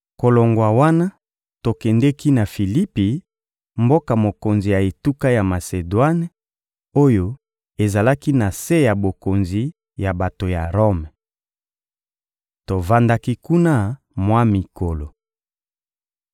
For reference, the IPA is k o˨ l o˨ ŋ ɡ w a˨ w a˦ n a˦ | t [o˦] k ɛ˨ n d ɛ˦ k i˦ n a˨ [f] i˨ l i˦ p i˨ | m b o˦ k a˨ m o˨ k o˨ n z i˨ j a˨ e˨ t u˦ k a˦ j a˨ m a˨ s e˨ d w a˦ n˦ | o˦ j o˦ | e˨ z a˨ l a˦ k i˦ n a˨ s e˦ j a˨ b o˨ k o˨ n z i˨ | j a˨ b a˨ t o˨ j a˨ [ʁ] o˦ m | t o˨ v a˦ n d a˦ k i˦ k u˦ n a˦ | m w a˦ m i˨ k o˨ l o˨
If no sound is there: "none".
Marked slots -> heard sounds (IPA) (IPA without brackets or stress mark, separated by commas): o˨, f, ʁ